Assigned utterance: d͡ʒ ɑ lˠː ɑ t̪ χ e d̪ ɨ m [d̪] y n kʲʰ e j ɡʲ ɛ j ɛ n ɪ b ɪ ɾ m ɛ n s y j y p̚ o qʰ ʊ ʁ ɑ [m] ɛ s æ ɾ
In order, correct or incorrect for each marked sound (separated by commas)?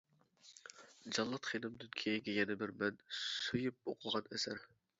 correct, incorrect